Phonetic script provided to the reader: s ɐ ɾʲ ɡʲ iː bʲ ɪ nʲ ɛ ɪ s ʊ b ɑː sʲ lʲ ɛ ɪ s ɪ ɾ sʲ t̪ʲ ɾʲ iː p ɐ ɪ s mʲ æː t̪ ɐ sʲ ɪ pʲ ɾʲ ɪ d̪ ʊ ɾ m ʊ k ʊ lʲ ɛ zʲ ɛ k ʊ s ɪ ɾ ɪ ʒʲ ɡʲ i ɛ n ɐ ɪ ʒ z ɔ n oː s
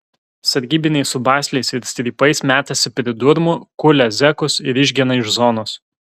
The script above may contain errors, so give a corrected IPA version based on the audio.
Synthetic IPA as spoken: s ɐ ɾʲ ɡʲ iː bʲ ɪ nʲ ɛ ɪ s ʊ b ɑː sʲ lʲ ɛ ɪ s ɪ ɾ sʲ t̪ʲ ɾʲ iː p ɐ ɪ s mʲ æː t̪ ɐ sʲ ɪ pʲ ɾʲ ɪ d̪ ʊ ɾ m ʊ k ʊ lʲ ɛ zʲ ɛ k ʊ s ɪ ɾ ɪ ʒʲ ɡʲ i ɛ n ɐ ɪ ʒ z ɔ n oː s